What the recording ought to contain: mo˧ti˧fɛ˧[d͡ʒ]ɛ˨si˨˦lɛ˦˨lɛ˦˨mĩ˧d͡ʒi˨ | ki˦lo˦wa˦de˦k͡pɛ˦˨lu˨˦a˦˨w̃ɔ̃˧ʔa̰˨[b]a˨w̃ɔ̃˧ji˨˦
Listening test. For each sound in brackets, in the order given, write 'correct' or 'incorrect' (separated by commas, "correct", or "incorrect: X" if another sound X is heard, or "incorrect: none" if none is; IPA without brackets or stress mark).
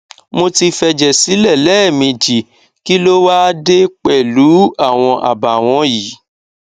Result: correct, correct